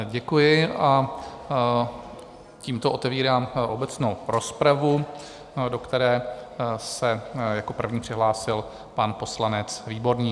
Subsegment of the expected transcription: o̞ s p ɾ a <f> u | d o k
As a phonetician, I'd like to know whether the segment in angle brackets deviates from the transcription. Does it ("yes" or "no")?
yes